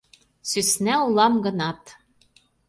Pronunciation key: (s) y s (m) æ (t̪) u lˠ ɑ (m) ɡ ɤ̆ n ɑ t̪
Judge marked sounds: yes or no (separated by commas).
yes, no, no, yes